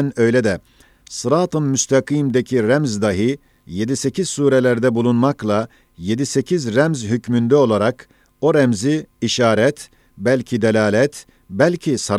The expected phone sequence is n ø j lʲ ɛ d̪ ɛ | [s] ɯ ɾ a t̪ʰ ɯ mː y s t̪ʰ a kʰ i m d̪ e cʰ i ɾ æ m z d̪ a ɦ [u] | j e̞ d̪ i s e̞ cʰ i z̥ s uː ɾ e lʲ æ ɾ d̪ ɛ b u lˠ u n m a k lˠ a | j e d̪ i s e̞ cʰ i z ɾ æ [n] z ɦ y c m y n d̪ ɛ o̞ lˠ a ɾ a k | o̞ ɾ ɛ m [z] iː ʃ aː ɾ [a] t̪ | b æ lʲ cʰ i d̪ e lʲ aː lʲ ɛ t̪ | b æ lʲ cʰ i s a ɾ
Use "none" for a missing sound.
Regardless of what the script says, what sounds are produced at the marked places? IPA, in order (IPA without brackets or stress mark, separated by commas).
s, ɯ, m, z, ɛ